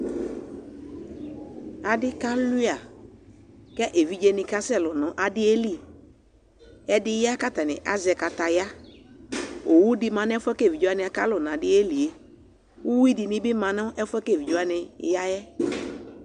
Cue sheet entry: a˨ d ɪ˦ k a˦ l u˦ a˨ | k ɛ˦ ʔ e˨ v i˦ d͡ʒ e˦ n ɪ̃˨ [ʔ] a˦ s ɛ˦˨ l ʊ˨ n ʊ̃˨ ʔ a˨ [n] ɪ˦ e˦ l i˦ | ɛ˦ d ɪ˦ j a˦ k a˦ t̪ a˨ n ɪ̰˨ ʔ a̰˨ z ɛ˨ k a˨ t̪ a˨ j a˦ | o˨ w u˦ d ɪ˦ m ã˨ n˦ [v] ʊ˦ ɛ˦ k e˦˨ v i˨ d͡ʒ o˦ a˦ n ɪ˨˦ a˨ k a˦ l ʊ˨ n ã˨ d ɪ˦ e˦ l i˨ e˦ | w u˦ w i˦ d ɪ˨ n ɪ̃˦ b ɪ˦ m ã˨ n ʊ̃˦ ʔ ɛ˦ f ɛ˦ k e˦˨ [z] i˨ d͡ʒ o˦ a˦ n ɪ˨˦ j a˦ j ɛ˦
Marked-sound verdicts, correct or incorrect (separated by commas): incorrect, incorrect, incorrect, incorrect